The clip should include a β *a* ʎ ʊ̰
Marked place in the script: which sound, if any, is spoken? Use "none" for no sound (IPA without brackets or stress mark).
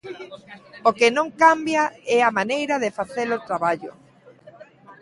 a